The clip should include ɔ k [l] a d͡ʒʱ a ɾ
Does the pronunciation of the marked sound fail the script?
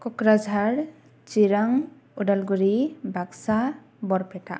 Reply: yes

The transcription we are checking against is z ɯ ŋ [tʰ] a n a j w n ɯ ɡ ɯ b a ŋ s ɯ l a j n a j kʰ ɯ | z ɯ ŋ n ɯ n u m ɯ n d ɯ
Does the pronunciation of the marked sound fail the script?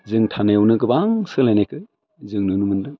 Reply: no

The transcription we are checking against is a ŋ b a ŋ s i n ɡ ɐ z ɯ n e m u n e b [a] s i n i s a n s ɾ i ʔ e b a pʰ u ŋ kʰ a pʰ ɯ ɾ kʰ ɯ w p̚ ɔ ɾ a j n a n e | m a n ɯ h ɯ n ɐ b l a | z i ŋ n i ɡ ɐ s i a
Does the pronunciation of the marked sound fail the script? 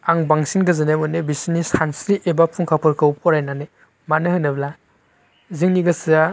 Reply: yes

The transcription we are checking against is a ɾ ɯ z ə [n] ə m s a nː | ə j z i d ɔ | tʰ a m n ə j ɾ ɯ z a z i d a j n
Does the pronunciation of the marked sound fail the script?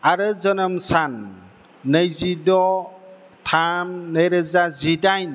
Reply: no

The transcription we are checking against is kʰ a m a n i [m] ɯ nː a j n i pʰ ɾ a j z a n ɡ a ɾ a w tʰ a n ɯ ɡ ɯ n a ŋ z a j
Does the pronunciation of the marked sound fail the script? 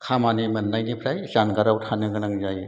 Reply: no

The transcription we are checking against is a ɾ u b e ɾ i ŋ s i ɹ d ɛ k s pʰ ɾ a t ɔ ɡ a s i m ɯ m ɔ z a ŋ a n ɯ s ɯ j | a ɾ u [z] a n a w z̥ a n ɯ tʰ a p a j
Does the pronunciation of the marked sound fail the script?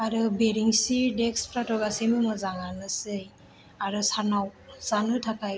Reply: yes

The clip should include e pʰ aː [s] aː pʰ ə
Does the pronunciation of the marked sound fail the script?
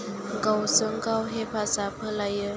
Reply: no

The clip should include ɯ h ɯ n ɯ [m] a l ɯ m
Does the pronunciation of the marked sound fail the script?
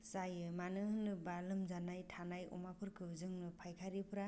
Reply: yes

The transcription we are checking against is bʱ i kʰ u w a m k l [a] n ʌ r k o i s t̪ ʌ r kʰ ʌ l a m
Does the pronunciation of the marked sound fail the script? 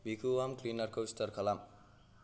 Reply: yes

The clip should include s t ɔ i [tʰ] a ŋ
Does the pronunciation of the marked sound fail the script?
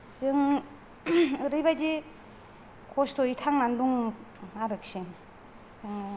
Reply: no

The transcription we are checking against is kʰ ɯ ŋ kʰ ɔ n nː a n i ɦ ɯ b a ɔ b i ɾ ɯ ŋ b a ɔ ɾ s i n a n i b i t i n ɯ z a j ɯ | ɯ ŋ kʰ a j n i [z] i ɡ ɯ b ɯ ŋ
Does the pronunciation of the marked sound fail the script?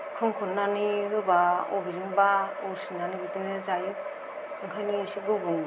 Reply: yes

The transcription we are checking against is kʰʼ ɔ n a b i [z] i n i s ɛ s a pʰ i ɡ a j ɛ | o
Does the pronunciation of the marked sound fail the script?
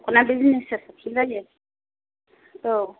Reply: no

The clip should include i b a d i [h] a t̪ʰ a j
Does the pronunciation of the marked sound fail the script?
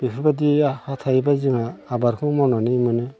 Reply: no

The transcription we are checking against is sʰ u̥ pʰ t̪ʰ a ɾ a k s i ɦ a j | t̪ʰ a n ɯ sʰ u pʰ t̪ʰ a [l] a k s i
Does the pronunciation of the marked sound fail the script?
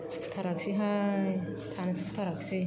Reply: yes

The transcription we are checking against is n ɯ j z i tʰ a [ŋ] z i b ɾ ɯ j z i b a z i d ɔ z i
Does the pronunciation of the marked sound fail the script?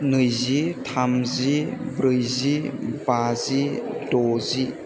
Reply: yes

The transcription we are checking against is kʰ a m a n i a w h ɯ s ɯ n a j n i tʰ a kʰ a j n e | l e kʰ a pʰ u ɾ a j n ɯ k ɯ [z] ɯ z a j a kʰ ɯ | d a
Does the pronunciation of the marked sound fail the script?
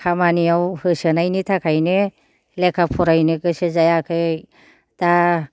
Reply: yes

